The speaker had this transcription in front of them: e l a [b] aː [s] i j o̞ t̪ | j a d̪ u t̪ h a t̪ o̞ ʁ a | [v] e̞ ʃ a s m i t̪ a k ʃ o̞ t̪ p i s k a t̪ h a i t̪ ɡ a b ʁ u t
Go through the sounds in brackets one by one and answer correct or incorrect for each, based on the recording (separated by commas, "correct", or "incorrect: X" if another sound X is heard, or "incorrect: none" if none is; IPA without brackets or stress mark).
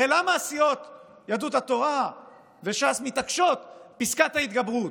incorrect: m, correct, correct